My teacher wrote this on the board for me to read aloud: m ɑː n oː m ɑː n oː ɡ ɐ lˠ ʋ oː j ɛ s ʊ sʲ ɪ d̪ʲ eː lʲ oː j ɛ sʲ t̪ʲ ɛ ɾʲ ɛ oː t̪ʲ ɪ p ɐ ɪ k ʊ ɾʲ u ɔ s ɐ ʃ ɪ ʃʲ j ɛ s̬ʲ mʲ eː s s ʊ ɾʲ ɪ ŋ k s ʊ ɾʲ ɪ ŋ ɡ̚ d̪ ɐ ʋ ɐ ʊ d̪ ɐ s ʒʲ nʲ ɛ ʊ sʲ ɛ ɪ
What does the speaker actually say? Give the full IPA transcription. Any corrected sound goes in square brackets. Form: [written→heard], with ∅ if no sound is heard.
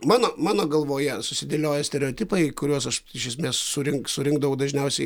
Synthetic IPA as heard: m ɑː n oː m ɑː n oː ɡ ɐ lˠ ʋ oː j ɛ s ʊ sʲ ɪ d̪ʲ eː lʲ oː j ɛ sʲ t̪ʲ ɛ ɾʲ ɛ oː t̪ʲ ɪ p ɐ ɪ k ʊ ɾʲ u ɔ s ɐ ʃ ɪ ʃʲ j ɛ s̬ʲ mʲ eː s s ʊ ɾʲ ɪ ŋ k s ʊ ɾʲ ɪ ŋ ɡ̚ d̪ ɐ ʋ ɐ ʊ d̪ ɐ [s→∅] ʒʲ nʲ ɛ ʊ sʲ ɛ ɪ